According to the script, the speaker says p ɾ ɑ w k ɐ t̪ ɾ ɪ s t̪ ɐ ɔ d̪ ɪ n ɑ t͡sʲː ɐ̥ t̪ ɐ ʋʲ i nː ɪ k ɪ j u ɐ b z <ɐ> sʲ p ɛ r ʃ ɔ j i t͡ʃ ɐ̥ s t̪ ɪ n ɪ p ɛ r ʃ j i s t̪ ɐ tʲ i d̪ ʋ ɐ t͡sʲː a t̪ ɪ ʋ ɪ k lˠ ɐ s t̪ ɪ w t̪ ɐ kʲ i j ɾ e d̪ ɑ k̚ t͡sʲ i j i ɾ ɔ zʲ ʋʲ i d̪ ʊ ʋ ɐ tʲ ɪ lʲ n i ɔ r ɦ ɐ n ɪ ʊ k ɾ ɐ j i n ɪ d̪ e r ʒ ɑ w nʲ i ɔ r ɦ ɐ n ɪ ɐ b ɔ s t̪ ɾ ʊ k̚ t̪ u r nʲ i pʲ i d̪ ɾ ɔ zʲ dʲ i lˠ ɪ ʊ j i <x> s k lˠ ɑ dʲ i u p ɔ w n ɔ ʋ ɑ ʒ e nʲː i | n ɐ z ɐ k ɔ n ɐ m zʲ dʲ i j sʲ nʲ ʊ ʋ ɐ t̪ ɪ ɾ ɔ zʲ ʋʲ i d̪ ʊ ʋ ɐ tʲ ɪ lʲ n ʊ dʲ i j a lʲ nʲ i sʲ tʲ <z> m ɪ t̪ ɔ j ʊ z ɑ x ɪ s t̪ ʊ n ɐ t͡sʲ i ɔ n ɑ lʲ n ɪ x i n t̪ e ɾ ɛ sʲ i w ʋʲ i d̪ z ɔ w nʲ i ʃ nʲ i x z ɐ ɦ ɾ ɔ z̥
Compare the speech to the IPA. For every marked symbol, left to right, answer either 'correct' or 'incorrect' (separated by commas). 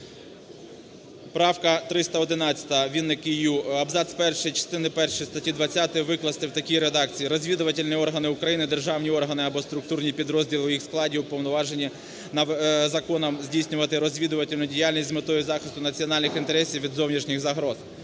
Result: incorrect, correct, correct